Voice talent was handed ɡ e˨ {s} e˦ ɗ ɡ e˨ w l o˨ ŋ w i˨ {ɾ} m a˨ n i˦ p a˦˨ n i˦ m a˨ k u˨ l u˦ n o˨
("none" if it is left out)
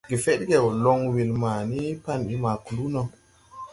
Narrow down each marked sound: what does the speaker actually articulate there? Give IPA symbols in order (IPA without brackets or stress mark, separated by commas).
f, l